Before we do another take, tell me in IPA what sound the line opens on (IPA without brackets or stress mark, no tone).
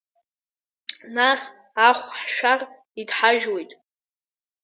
n